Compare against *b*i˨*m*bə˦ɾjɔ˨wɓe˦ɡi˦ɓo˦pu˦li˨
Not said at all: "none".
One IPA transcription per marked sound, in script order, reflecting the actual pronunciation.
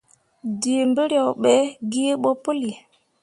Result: d, m

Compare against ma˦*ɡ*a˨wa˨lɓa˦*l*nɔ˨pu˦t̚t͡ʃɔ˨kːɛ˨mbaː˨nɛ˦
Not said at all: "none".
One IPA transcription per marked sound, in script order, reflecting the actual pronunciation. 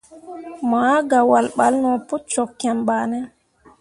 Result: ɡ, l

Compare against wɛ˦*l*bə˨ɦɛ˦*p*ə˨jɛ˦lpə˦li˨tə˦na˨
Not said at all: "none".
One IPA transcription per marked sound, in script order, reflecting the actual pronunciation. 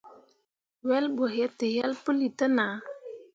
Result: l, t

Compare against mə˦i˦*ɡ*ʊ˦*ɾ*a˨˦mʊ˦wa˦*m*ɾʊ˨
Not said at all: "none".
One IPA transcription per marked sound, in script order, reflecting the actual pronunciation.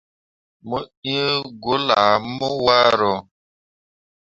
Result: ɡ, l, none

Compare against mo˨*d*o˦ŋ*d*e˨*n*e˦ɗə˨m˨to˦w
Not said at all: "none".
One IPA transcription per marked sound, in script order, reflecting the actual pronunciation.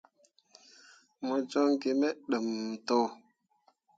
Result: d͡ʒ, ɡ, m

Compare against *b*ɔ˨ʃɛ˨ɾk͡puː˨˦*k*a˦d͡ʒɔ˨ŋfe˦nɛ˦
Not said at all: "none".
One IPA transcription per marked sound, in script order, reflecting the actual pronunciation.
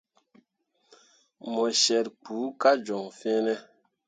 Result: m, k

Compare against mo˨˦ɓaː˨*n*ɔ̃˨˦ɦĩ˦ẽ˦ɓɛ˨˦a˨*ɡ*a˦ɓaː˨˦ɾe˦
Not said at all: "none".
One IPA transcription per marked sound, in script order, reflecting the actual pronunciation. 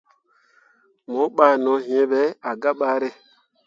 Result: n, ɡ

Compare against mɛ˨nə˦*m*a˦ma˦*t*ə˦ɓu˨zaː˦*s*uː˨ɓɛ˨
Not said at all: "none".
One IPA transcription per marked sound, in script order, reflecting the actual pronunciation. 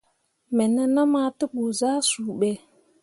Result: n, t, s

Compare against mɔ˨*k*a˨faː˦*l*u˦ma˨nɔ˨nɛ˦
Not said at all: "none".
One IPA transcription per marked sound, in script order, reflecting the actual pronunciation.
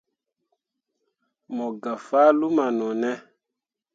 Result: ɡ, l

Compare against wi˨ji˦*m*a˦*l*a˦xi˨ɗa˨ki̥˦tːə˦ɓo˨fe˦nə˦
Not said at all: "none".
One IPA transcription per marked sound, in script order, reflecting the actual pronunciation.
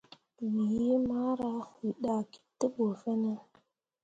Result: m, ɾ

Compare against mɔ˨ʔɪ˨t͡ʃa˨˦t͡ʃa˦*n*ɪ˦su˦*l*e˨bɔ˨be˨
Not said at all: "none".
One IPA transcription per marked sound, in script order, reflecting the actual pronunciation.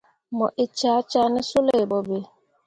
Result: n, l

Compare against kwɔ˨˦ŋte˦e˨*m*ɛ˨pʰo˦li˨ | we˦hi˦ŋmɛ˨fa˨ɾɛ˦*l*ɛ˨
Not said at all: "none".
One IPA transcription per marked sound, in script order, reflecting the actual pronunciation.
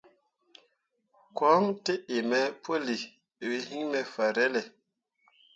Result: m, l

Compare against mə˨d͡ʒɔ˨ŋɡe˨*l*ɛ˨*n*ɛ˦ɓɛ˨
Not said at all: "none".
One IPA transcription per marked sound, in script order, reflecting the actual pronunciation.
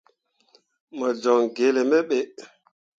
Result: l, m

